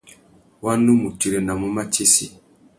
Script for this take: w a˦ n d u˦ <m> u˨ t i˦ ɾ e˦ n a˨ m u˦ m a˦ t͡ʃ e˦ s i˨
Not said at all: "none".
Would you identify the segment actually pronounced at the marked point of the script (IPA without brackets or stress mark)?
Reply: m